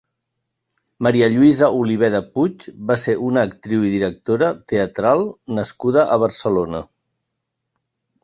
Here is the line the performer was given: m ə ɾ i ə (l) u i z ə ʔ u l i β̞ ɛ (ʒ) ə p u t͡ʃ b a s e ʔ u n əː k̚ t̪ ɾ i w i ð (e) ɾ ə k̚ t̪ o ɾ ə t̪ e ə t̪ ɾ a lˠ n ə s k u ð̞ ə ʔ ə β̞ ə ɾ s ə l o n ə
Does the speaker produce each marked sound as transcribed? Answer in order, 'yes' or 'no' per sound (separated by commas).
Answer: no, no, no